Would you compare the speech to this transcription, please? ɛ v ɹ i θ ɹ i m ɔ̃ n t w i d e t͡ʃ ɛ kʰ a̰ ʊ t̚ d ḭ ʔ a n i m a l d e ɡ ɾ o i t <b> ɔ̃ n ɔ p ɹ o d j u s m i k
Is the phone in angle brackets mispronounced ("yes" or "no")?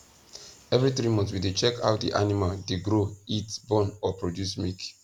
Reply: no